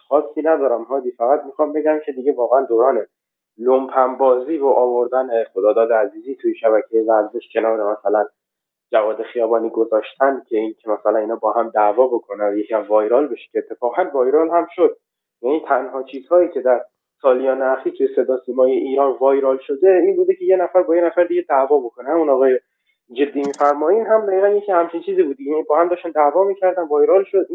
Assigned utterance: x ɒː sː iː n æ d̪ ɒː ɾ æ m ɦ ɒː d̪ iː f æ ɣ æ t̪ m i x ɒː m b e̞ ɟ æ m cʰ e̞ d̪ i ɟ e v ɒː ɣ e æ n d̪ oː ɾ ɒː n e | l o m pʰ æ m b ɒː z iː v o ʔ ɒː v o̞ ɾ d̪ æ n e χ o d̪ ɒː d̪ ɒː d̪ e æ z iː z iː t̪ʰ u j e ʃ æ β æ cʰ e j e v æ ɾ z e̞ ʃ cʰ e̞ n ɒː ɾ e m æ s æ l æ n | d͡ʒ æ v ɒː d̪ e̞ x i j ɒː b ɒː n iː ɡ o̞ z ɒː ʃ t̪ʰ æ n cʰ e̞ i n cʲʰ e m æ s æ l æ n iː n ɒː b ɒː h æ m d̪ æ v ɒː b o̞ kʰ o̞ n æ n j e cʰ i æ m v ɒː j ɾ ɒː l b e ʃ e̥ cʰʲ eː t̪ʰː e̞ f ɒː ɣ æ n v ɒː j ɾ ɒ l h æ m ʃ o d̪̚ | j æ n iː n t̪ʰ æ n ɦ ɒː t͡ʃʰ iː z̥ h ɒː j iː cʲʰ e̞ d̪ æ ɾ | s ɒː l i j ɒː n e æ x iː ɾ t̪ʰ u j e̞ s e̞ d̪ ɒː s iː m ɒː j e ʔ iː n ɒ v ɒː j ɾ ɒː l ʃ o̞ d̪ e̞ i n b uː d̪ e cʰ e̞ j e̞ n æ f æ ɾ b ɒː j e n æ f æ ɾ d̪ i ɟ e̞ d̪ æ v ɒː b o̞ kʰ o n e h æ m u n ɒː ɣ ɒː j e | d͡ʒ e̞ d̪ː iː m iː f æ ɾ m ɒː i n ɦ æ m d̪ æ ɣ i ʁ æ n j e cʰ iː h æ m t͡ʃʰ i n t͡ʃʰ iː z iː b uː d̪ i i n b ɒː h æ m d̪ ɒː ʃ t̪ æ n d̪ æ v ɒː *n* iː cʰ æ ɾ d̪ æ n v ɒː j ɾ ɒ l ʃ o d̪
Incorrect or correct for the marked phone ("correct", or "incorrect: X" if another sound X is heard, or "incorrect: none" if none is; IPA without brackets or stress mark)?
incorrect: m